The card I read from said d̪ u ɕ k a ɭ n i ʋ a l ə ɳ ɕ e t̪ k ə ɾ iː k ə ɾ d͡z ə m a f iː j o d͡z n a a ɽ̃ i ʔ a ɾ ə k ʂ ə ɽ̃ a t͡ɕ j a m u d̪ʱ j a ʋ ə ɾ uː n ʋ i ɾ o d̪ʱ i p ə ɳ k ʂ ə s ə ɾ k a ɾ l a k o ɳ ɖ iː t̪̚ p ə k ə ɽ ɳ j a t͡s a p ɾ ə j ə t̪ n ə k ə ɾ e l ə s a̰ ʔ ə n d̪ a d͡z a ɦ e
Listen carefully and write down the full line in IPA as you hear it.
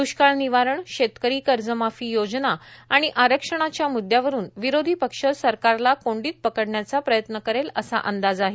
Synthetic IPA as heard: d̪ u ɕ k a ɭ n i ʋ a ɾ ə ɳ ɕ e t̪ k ə ɾ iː k ə ɾ d͡z ə m a f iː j o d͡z n a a ɽ̃ i ʔ a ɾ ə k ʂ ə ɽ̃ a t͡ɕ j a m u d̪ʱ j a ʋ ə ɾ uː n ʋ i ɾ o d̪ʱ i p ə k ʂ ə s ə ɾ k a ɾ l a k o ɳ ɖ iː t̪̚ p ə k ə ɽ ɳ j a t͡s a p ɾ ə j ə t̪ n ə k ə ɾ e l ə s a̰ ʔ ə n d̪ a d͡z a ɦ e